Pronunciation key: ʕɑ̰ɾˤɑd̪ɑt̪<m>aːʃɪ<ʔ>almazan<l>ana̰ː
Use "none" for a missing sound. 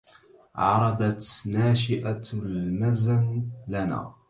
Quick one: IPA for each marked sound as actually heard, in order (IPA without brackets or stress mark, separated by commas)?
n, ʔ, l